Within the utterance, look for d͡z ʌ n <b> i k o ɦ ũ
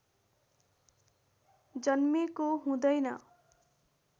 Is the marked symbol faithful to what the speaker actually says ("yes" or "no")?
no